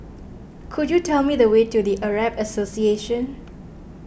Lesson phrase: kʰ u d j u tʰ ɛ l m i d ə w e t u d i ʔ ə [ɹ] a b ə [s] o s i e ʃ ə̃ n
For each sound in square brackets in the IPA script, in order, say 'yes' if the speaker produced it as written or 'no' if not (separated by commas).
yes, yes